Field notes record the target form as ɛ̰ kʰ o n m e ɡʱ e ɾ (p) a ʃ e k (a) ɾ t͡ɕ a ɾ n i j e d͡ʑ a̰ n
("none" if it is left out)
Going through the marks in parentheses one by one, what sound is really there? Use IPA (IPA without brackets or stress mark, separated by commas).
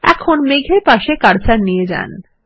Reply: p, a